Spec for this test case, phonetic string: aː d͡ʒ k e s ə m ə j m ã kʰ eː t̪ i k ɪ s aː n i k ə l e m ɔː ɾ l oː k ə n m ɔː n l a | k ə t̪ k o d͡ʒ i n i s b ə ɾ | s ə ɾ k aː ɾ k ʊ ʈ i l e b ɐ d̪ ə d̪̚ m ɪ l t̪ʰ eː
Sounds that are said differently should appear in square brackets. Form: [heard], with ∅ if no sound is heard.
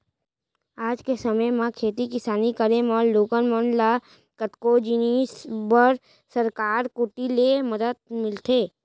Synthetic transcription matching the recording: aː d͡ʒ k e s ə m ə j m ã kʰ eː t̪ i k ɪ s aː n i k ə [ɾ] e m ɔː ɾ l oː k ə n m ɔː n l a | k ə t̪ k o d͡ʒ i n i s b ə ɾ | s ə ɾ k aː ɾ k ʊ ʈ i l e [m] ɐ d̪ ə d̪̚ m ɪ l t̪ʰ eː